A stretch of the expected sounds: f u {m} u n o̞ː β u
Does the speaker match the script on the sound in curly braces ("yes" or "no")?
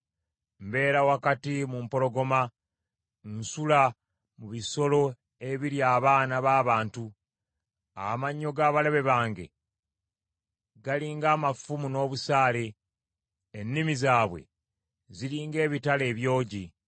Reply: yes